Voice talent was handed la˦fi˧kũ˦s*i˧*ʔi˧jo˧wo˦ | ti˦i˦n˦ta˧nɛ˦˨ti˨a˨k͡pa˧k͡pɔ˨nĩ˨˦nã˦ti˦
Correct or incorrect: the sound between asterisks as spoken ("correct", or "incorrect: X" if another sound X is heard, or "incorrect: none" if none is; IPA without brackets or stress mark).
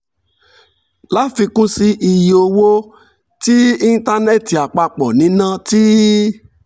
correct